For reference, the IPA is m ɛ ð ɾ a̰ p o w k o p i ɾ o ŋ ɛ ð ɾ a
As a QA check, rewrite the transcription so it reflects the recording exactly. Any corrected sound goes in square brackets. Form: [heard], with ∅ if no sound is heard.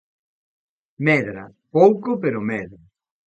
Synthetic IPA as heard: m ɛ ð ɾ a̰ p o w k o p [e] ɾ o [m] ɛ ð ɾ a